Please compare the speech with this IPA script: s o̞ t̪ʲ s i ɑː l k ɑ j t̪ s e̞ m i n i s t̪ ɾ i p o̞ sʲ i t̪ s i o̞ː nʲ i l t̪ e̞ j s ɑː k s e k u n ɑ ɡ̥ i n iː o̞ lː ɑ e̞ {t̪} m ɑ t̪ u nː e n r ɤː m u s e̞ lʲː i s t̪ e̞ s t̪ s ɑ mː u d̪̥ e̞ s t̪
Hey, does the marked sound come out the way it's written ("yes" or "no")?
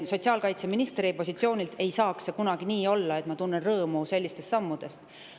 yes